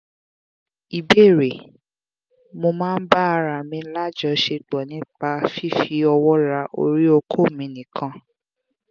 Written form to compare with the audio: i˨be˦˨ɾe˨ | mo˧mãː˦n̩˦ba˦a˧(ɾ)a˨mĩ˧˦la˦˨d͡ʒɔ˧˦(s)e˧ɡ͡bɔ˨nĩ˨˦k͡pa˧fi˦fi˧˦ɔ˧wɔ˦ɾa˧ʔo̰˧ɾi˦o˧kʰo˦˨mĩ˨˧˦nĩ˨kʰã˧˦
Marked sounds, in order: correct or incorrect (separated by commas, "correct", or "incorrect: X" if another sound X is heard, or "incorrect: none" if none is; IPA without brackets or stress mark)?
correct, incorrect: ʃ